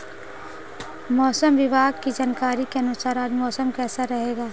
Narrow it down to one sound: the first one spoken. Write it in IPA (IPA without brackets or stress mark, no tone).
m